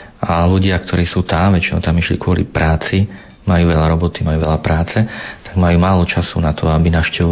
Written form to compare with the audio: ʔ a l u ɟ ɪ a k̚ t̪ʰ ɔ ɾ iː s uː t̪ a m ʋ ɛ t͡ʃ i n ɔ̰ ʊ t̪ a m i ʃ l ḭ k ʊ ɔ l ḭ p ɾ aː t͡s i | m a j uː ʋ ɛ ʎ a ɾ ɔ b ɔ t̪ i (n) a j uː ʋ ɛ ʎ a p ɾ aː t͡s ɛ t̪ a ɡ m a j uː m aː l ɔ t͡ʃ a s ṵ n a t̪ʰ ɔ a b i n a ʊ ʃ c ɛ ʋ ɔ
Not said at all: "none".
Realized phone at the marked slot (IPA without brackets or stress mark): m